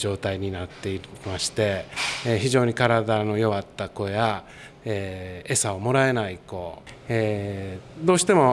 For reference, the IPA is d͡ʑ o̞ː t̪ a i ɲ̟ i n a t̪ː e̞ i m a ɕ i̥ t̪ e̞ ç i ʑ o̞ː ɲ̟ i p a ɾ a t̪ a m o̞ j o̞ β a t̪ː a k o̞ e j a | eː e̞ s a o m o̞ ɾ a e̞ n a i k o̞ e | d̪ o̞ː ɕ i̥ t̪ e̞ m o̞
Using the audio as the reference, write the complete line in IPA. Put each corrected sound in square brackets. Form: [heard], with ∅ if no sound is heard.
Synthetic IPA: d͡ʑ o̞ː t̪ a i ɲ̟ i n a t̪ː e̞ i m a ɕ i̥ t̪ e̞ ç i ʑ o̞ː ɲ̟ i [k] a ɾ a [d̪] a [n] o̞ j o̞ β a t̪ː a k o̞ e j a | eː e̞ s a o m o̞ ɾ a e̞ n a i k o̞ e | d̪ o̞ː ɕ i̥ t̪ e̞ m o̞